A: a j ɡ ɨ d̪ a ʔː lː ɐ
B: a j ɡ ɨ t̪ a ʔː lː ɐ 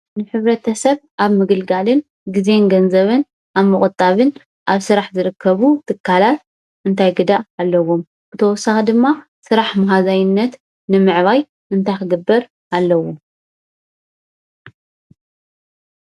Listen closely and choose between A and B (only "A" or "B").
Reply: A